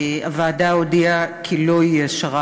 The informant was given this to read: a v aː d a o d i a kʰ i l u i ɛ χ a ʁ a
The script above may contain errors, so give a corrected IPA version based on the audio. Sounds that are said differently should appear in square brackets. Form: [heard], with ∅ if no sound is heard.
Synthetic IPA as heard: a v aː d a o d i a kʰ i l [o] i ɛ [ʃ] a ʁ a